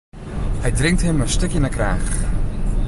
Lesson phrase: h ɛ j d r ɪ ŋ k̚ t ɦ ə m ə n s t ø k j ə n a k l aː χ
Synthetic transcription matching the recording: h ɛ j d r ɪ ŋ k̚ t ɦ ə m ə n s t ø k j ə n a k r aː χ